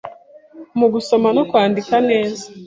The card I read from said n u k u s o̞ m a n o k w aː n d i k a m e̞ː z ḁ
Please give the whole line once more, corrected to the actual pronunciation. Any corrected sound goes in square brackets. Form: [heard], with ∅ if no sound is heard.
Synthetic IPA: [m] u [ɡ] u s o̞ m a n o k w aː n d i k a [n] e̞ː z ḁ